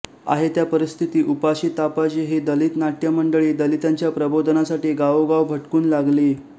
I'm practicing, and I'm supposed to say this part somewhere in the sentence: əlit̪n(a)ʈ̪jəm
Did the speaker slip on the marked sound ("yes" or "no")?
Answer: no